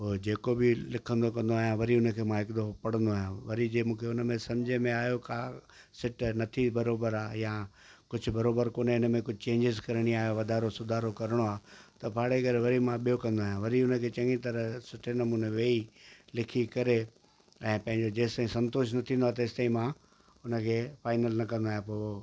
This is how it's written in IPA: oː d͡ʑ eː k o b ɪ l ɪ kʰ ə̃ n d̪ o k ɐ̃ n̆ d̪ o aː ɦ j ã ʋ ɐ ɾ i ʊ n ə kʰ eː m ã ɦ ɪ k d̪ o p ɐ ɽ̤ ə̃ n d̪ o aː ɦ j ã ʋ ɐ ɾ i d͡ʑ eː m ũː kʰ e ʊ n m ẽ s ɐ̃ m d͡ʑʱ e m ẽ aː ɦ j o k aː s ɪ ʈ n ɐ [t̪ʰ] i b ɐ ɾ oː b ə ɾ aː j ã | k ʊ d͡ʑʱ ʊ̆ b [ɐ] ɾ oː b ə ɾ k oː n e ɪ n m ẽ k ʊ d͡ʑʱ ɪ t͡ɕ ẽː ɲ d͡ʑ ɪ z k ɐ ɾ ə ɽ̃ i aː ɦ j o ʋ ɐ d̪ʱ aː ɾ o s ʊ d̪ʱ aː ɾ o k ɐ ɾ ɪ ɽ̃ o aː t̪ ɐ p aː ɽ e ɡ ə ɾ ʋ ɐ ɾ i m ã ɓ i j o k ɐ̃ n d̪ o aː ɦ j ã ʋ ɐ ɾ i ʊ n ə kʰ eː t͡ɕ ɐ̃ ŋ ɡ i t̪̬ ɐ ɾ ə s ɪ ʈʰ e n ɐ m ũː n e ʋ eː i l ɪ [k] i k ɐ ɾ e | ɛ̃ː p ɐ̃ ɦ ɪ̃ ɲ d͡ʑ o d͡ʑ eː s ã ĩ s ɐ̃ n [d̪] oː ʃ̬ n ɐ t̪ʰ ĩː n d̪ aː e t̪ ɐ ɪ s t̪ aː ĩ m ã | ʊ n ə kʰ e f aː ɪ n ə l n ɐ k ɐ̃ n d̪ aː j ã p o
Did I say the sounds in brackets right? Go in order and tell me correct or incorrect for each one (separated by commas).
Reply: correct, correct, incorrect, incorrect